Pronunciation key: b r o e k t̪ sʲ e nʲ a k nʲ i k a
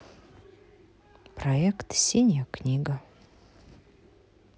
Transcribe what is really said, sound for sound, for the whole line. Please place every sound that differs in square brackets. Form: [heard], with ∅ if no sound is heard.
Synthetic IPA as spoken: [p] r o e k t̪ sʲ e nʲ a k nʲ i [ɡ] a